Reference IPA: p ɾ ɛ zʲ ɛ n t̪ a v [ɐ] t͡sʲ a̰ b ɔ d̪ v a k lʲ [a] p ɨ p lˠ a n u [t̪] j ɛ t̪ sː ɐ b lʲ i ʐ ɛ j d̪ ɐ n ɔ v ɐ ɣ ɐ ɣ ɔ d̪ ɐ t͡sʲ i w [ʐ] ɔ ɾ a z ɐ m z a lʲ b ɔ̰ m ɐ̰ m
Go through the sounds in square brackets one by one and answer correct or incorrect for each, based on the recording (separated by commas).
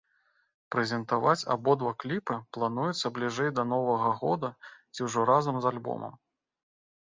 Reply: incorrect, incorrect, incorrect, correct